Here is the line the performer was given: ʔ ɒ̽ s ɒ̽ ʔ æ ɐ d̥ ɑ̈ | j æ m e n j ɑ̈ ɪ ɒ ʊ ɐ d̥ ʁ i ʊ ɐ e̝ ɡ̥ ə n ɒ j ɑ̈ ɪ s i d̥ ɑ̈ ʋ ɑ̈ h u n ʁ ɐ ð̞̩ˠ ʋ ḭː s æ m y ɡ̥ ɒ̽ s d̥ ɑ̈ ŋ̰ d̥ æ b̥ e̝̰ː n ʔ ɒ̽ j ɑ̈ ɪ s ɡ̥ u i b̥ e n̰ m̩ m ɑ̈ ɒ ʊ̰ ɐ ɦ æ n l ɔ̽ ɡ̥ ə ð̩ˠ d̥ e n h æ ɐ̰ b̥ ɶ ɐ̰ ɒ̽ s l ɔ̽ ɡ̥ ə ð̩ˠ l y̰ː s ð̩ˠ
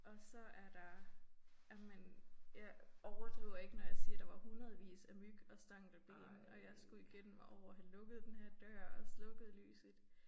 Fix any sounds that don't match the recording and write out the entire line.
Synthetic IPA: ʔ ɒ̽ s ɒ̽ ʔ æ ɐ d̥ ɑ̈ | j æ m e n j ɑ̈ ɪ ɒ ʊ ɐ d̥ ʁ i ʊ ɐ e̝ ɡ̥ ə n ɒ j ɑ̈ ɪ s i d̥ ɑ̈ ʋ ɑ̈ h u n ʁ ɐ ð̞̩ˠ ʋ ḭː s æ m y ɡ̥ ɒ̽ s d̥ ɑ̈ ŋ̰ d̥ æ b̥ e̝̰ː n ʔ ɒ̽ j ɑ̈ ɪ s ɡ̥ u i ɡ̥ e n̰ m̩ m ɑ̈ ɒ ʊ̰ ɐ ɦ æ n l ɔ̽ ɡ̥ ə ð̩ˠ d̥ e n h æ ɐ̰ d̥ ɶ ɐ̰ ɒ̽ s l ɔ̽ ɡ̥ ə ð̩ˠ l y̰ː s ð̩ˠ